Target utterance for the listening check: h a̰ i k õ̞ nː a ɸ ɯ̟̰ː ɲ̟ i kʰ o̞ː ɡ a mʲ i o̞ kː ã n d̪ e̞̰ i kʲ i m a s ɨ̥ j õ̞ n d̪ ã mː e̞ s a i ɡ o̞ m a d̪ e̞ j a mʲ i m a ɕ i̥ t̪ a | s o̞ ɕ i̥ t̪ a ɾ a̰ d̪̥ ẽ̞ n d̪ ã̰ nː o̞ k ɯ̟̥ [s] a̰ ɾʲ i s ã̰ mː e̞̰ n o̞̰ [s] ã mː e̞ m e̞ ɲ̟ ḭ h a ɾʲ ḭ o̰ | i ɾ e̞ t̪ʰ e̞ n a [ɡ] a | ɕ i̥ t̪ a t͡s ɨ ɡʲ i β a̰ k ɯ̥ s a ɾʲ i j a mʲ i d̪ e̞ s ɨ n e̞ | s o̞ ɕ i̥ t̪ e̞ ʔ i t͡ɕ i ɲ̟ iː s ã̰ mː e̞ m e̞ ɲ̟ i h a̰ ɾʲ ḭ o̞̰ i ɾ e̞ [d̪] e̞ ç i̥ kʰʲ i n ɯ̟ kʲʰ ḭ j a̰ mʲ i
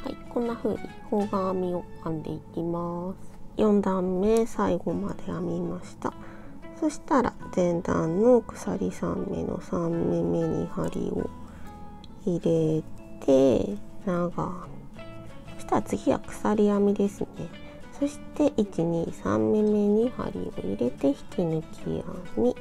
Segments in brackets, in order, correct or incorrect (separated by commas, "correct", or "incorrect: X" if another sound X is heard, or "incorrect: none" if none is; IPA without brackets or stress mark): correct, correct, correct, incorrect: t̪